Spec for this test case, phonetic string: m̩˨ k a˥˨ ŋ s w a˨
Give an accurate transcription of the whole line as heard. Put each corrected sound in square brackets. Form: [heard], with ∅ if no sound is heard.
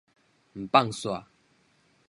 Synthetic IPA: m̩˨ [p] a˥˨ ŋ s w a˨

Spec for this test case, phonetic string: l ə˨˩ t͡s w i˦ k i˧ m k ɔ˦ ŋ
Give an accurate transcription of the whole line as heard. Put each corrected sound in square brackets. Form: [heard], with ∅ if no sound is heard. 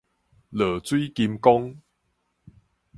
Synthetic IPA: l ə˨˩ t͡s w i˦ k i˧ m k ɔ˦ ŋ

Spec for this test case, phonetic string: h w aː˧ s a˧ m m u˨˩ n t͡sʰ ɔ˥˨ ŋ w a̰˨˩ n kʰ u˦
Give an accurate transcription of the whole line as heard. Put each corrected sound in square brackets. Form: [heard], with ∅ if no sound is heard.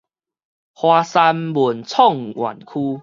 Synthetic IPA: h w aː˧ s a˧ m [b] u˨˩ n t͡sʰ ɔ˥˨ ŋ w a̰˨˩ n kʰ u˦

